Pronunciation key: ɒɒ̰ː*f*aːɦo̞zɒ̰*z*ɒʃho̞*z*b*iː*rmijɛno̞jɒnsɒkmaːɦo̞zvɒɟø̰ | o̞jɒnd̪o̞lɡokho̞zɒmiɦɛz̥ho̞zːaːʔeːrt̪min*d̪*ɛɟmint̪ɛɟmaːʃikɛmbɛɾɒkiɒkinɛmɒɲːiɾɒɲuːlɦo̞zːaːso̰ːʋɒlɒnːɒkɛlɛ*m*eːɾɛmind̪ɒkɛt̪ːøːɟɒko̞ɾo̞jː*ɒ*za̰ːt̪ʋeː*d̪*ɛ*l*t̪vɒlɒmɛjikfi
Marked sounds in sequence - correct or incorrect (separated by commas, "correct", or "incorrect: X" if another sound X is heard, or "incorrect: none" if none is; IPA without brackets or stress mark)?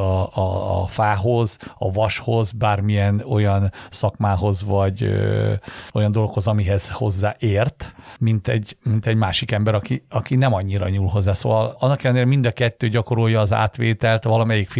correct, incorrect: v, correct, incorrect: aː, incorrect: t̪, incorrect: n, incorrect: ɒː, incorrect: t̪, correct